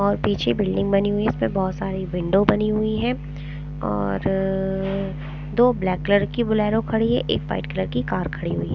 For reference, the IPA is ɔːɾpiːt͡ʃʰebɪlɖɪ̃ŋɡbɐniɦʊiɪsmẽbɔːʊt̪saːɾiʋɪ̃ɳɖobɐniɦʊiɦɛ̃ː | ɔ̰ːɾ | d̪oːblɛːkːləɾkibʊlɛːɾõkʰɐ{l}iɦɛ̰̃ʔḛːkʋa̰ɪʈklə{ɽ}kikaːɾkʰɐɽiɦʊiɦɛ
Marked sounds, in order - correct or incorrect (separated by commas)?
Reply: incorrect, incorrect